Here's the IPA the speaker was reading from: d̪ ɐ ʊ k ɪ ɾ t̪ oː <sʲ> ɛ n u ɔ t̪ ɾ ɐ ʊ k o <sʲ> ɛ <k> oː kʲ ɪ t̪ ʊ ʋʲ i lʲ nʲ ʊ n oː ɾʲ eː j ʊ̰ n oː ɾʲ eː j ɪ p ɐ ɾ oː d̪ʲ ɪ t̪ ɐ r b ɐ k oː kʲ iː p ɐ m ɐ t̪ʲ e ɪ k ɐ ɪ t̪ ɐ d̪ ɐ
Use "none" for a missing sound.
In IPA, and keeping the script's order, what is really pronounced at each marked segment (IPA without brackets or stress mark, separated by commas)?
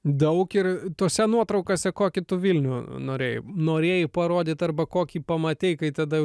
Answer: sʲ, sʲ, k